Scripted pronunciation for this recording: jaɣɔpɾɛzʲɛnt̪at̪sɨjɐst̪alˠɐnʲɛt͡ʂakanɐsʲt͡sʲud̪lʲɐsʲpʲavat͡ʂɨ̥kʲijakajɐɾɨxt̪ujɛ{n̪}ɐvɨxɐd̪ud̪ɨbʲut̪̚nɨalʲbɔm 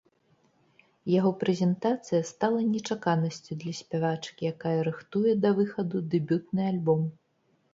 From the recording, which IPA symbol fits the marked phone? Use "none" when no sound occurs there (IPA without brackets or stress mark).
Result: d̪